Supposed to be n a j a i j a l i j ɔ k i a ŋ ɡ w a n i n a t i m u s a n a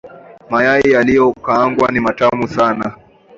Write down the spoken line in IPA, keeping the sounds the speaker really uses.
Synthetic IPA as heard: m a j a i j a l i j ɔ k a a ŋ ɡ w a n i m a t a m u s a n a